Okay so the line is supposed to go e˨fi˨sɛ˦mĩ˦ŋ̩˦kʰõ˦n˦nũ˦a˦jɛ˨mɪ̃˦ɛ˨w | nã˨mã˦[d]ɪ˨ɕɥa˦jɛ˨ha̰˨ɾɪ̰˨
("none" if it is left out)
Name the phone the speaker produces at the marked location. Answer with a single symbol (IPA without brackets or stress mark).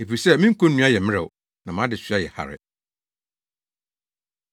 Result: d